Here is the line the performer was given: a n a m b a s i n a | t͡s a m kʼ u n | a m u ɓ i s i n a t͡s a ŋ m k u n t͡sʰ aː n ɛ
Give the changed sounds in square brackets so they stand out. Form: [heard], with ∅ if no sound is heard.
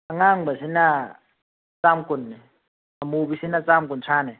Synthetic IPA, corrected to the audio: a [ŋ] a [ŋ] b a s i n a | t͡s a m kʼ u n | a m u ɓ i s i n a t͡s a [∅] m k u n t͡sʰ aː n ɛ